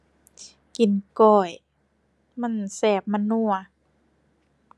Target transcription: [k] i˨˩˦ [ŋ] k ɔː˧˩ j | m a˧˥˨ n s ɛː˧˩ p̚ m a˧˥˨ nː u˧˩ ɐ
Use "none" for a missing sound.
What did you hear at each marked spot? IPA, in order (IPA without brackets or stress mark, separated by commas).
k, n